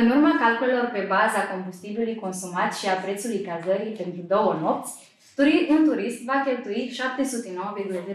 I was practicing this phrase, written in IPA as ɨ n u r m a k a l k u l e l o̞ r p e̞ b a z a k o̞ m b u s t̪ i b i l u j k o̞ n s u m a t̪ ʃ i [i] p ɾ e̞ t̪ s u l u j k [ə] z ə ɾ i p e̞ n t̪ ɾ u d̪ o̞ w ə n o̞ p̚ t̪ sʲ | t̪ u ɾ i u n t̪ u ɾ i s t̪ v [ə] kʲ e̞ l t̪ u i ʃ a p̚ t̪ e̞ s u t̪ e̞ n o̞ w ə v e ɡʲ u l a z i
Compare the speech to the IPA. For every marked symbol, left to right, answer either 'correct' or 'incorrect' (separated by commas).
incorrect, incorrect, incorrect